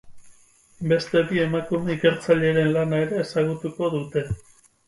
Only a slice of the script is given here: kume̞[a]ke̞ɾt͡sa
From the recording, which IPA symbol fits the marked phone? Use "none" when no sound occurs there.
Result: i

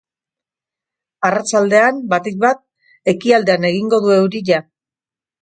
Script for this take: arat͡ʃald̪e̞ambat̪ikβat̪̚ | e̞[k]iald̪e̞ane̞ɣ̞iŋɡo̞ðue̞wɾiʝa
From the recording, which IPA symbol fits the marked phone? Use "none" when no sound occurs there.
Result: k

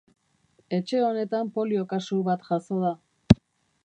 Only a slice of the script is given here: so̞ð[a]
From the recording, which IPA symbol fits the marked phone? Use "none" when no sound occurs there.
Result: a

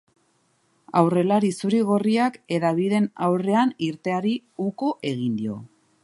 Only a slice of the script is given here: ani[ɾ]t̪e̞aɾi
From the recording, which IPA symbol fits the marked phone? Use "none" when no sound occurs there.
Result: ɾ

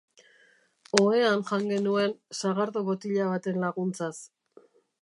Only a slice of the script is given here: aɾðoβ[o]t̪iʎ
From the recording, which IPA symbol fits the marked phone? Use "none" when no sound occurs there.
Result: o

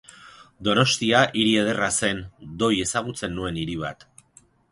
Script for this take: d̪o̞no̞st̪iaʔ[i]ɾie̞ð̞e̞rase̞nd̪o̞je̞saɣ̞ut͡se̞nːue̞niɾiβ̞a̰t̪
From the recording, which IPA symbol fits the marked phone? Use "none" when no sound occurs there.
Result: i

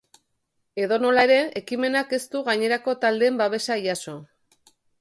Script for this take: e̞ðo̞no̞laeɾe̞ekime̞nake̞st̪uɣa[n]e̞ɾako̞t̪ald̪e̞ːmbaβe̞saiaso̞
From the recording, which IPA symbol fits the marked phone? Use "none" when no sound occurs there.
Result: ɲ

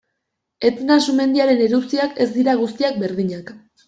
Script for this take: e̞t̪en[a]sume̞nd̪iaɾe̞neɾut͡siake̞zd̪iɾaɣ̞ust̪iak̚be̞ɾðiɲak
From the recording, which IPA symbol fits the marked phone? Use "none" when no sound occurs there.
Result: a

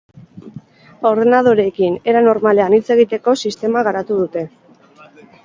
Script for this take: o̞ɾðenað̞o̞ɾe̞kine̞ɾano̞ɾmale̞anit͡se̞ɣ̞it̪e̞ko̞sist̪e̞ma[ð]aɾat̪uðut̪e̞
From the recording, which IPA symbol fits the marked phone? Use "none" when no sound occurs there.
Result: ɣ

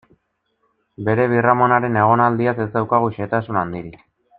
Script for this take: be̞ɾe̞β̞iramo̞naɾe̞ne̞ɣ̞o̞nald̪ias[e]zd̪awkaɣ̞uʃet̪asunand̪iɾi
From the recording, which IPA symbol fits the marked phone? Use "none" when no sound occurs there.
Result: e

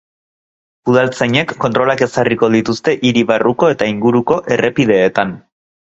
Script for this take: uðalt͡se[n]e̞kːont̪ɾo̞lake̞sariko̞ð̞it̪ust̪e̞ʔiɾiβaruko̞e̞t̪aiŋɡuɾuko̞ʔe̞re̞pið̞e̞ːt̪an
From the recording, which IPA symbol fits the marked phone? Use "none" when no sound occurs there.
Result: ɲ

